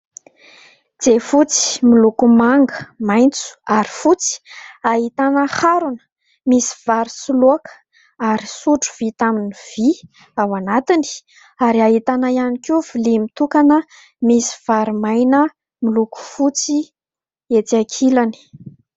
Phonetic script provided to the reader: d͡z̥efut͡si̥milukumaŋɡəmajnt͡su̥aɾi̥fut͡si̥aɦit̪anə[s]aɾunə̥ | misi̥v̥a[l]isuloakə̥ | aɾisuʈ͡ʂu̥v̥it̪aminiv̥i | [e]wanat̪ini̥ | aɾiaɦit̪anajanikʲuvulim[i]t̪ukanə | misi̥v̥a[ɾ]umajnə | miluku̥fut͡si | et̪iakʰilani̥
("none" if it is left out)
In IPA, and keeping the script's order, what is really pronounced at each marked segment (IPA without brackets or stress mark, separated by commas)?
h, ɾ, a, i, ɾ